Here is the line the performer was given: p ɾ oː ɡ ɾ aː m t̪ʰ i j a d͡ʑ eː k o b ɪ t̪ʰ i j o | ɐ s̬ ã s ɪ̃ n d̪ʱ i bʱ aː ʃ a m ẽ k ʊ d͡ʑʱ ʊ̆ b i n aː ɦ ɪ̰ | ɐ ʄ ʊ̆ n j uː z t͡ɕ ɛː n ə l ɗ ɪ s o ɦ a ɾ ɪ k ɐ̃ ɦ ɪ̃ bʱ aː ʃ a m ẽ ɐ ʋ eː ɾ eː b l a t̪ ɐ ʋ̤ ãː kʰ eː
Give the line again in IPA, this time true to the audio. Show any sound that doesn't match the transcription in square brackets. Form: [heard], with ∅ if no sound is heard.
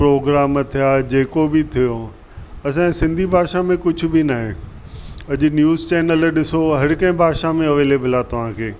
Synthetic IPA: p ɾ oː ɡ ɾ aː m t̪ʰ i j a d͡ʑ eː k o b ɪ t̪ʰ i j o | ɐ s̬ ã s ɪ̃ n d̪ʱ i bʱ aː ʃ a m ẽ k ʊ d͡ʑʱ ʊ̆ b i n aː ɦ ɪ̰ | ɐ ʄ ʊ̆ n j uː z t͡ɕ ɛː n ə l ɗ ɪ s o ɦ [ɐ] ɾ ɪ k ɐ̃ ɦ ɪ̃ bʱ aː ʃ a m ẽ ɐ ʋ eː [l] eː b l a t̪ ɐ ʋ̤ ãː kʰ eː

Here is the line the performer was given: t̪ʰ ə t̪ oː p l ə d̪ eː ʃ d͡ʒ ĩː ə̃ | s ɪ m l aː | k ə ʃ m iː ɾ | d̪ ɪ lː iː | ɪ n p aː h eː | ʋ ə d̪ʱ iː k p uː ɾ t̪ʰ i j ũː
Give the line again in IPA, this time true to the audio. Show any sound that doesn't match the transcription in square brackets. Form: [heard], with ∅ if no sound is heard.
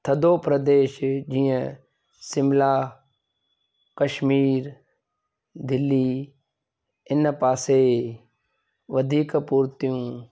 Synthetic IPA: t̪ʰ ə [d̪] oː p [ɾ] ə d̪ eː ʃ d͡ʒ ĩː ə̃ | s ɪ m l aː | k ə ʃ m iː ɾ | d̪ ɪ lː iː | ɪ n p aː [s] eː | ʋ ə d̪ʱ iː k p uː ɾ [t̪] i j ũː

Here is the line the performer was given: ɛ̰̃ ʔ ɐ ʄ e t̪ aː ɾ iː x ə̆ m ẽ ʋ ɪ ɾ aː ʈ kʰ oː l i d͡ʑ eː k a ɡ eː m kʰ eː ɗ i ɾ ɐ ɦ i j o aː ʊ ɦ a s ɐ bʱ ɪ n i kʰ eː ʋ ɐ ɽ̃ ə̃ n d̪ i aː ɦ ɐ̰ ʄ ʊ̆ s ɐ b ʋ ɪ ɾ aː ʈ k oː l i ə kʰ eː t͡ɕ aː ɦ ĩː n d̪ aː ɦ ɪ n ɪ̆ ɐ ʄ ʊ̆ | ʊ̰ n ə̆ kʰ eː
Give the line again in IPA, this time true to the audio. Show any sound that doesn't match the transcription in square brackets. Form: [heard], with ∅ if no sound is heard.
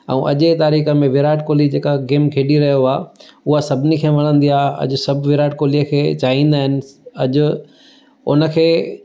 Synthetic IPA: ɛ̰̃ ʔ ɐ ʄ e t̪ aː ɾ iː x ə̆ m ẽ ʋ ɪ ɾ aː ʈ [k] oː l i d͡ʑ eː k a ɡ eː m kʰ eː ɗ i ɾ ɐ ɦ i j o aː ʊ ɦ a s ɐ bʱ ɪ n i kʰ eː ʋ ɐ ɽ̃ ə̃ n d̪ i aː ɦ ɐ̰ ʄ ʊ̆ s ɐ b ʋ ɪ ɾ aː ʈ k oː l i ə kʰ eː t͡ɕ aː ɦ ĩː n d̪ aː ɦ ɪ n ɪ̆ ɐ ʄ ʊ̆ | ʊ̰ n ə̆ kʰ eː

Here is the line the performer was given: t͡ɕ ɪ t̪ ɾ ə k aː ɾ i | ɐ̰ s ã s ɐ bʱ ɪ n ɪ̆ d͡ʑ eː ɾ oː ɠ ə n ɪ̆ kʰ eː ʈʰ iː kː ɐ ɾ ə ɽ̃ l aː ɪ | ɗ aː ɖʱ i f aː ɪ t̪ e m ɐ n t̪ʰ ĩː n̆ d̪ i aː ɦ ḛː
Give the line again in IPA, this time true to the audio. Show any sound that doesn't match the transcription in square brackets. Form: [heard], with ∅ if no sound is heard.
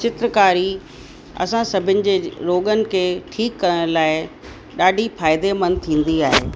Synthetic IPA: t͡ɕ ɪ t̪ ɾ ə k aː ɾ i | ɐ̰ s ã s ɐ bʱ ɪ n ɪ̆ d͡ʑ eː ɾ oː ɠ ə n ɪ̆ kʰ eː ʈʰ iː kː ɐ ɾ ə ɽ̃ l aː ɪ | ɗ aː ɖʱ i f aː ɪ [d̪] e m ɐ n t̪ʰ ĩː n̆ d̪ i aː ɦ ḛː

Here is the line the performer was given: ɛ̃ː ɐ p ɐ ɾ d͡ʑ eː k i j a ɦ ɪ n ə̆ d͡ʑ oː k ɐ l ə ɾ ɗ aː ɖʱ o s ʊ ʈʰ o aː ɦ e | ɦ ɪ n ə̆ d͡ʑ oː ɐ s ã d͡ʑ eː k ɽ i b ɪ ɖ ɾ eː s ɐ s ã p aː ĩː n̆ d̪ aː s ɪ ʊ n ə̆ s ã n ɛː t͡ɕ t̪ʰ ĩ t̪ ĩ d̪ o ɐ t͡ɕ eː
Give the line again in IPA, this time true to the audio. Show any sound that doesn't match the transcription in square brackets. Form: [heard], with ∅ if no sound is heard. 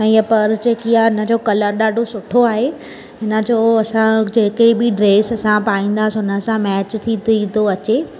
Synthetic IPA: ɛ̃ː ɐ p ɐ ɾ d͡ʑ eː k i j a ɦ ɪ n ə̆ d͡ʑ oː k ɐ l ə ɾ ɗ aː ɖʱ o s ʊ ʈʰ o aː ɦ e | ɦ ɪ n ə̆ d͡ʑ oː ɐ s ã d͡ʑ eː k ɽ i b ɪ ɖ ɾ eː s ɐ s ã p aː ĩː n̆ d̪ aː s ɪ ʊ n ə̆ s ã [m] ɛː t͡ɕ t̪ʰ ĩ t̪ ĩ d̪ o ɐ t͡ɕ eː

